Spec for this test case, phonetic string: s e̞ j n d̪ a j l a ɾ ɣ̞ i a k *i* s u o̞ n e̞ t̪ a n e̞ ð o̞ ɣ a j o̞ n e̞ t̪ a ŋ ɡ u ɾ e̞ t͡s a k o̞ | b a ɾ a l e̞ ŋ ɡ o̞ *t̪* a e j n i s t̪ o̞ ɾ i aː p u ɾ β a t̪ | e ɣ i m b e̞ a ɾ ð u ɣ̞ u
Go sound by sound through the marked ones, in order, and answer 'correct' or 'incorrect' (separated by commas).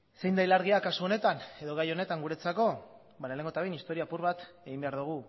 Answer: incorrect, correct